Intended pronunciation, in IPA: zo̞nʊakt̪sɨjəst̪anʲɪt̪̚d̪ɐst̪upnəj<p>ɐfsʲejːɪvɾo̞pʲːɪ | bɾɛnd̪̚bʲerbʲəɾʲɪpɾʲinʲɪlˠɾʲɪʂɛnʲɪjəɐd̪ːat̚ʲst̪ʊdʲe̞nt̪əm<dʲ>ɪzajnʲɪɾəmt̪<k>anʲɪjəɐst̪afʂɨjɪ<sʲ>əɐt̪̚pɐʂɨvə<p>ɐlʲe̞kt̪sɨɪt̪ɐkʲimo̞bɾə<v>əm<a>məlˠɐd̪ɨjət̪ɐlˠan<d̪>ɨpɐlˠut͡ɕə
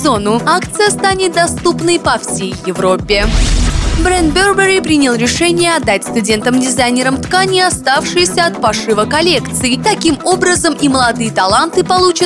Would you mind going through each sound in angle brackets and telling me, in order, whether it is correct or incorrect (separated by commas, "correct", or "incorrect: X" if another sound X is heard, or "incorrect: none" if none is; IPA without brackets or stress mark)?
correct, correct, correct, correct, incorrect: k, incorrect: z, incorrect: i, incorrect: t̪